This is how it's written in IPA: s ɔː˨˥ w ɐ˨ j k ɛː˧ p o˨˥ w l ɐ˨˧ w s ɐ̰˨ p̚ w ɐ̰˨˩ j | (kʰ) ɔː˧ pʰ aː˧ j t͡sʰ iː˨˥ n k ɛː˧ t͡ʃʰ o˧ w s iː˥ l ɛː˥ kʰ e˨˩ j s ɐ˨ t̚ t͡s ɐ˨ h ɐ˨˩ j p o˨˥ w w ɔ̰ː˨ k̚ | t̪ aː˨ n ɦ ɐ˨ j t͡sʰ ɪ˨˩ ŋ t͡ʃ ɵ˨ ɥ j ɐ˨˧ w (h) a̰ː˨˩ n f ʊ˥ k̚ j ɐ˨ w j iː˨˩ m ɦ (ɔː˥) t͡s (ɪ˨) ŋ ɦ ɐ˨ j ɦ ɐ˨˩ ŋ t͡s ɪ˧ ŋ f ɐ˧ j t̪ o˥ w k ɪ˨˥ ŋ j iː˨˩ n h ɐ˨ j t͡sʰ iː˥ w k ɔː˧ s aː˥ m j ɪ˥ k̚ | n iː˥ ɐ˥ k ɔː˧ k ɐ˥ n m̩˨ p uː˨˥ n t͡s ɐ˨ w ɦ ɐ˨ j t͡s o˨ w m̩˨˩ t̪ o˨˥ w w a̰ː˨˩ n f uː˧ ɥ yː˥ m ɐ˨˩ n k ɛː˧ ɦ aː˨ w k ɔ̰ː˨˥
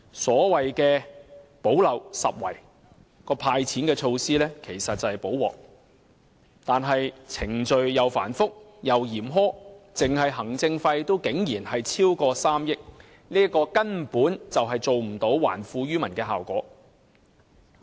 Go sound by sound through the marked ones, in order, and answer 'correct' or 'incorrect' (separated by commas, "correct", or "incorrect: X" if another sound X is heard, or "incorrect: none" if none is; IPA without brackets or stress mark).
incorrect: k, incorrect: f, correct, correct